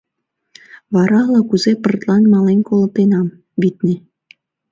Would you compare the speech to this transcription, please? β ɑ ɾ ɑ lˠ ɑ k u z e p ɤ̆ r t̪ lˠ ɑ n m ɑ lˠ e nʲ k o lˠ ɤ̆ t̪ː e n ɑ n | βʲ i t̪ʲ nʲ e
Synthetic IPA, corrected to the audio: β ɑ ɾ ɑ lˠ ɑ k u z e p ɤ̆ r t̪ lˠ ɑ n m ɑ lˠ e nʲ k o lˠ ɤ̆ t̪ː e n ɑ m | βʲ i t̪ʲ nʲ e